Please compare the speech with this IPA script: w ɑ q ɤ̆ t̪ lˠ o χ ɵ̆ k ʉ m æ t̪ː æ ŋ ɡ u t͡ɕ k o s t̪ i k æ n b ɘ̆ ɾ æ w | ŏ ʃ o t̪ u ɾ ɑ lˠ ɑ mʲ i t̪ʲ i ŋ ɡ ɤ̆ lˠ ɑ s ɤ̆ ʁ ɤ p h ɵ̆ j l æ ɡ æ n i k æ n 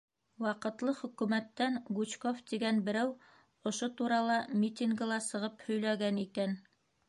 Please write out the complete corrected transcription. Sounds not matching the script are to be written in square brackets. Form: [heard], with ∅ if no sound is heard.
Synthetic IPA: w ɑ q ɤ̆ t̪ lˠ [ɤ] χ ɵ̆ k ʉ m æ t̪ː æ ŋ ɡ u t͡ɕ k o [f] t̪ i [ɡ] æ n b ɘ̆ ɾ æ w | ŏ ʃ o t̪ u ɾ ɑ lˠ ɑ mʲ i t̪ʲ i ŋ ɡ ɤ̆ lˠ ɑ s ɤ̆ ʁ ɤ p h ɵ̆ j l æ ɡ æ n i k æ n